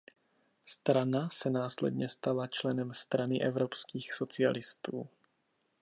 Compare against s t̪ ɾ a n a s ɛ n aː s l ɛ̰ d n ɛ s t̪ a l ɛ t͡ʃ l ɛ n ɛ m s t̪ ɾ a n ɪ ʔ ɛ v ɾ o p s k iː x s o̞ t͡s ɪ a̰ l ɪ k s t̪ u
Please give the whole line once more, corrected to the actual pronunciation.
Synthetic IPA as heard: s t̪ ɾ a n a s ɛ n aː s l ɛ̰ d ɲ ɛ s t̪ a l a t͡ʃ l ɛ n ɛ m s t̪ ɾ a n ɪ ʔ ɛ v ɾ o p s k iː x s o̞ t͡s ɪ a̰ l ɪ s t̪ uː